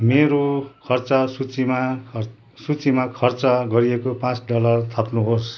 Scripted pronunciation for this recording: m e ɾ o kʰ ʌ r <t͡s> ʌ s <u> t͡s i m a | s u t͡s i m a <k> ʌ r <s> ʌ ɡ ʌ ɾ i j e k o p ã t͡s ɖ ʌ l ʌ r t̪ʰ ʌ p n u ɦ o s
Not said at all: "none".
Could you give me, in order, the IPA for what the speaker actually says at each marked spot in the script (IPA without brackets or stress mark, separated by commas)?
t͡s, u, kʰ, t͡s